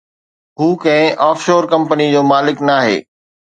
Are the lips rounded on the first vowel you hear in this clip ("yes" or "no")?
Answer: yes